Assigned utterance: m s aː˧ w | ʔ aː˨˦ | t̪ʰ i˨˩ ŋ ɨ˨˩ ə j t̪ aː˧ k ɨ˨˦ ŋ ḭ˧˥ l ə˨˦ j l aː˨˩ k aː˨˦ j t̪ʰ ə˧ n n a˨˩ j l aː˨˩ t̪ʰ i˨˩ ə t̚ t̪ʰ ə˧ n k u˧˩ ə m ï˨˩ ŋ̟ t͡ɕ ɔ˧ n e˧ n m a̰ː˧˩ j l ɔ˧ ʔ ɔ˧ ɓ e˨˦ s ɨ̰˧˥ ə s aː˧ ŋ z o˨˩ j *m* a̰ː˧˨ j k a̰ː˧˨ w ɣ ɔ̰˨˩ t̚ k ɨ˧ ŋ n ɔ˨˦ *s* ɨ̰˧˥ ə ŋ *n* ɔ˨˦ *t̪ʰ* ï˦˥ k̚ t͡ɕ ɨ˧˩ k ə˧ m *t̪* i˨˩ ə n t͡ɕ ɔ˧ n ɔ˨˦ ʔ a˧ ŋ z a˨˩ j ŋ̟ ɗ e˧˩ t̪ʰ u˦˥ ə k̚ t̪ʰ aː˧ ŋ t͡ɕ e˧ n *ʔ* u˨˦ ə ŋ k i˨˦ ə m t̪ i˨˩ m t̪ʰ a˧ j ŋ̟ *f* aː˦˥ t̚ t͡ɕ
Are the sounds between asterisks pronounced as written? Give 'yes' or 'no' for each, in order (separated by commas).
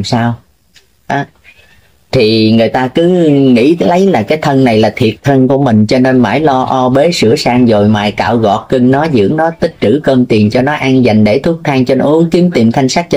yes, no, yes, no, yes, yes, no